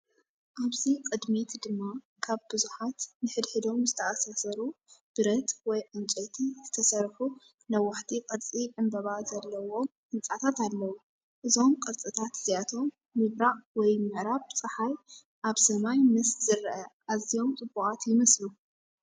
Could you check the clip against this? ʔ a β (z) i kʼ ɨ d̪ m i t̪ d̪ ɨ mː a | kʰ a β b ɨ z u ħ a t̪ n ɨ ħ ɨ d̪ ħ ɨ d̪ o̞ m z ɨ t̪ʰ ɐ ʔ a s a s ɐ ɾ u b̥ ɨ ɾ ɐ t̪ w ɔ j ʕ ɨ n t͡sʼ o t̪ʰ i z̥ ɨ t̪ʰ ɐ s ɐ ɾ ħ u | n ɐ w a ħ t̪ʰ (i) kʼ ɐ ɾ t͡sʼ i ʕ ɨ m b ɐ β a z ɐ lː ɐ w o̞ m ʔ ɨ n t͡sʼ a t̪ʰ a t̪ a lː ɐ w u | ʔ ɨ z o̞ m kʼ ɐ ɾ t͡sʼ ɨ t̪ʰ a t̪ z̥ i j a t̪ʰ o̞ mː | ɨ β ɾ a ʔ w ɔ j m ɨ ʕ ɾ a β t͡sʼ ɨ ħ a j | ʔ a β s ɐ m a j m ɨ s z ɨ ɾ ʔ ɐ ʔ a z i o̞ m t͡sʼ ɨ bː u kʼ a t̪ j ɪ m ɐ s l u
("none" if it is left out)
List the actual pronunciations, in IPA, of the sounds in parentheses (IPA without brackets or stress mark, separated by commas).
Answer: z, i